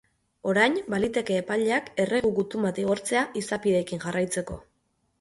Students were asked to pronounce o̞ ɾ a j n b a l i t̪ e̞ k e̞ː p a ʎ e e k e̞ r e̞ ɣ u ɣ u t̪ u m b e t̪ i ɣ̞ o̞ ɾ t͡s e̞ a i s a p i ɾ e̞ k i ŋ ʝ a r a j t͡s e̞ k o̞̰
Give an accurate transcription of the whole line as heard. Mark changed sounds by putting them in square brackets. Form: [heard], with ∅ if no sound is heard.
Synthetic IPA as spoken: o̞ ɾ a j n b a l i t̪ e̞ k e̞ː p a ʎ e [a] k e̞ r e̞ ɣ u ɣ u t̪ u m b [a] t̪ i ɣ̞ o̞ ɾ t͡s e̞ a i s a p i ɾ e̞ k i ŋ ʝ a r a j t͡s e̞ k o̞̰